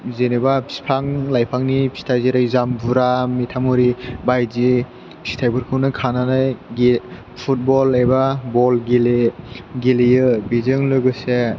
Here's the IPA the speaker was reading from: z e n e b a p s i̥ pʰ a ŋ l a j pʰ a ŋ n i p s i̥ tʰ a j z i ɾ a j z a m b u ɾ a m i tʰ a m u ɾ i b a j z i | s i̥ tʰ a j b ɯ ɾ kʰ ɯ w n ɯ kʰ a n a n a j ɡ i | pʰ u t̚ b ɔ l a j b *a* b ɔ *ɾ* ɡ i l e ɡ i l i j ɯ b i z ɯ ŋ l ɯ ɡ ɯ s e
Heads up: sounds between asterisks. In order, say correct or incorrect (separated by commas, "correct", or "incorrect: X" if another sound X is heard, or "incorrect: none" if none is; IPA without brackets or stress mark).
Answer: correct, incorrect: l